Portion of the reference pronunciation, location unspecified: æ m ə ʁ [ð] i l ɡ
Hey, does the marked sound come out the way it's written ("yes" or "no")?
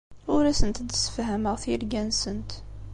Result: no